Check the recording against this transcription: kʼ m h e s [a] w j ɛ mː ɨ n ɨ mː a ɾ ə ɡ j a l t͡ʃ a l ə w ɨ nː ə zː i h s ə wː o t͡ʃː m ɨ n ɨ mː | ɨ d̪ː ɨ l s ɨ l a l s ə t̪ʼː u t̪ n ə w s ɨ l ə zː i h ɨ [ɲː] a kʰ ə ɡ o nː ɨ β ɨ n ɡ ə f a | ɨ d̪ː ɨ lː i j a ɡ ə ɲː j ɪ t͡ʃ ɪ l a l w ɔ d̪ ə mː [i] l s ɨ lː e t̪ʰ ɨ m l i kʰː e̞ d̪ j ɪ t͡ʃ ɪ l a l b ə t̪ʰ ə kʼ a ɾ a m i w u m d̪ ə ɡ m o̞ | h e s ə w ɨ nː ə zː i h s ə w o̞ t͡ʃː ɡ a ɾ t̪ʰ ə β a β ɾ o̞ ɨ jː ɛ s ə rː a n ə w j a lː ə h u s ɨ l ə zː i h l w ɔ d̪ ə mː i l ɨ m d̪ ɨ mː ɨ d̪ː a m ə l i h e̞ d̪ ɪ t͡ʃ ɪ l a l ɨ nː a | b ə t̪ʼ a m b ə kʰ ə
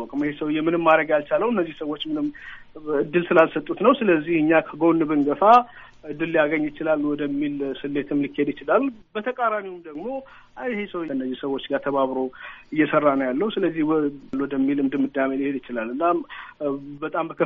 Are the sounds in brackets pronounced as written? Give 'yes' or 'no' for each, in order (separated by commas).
no, yes, yes